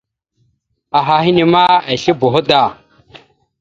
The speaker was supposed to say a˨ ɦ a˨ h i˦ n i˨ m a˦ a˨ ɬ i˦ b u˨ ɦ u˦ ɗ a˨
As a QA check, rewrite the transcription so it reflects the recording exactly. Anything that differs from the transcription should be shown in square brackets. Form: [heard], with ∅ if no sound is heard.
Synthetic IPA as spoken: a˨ ɦ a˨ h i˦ n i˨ m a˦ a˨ ɬ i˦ b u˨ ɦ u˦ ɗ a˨